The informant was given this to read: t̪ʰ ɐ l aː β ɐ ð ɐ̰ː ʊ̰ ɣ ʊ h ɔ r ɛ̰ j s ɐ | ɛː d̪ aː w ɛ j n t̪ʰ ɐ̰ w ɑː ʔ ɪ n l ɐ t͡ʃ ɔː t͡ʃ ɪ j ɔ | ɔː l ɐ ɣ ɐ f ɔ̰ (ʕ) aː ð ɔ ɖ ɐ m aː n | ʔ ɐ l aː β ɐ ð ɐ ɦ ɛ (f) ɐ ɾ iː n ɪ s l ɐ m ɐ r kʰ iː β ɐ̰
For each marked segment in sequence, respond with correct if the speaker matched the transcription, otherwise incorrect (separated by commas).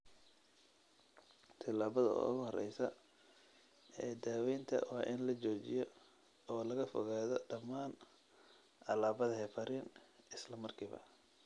incorrect, correct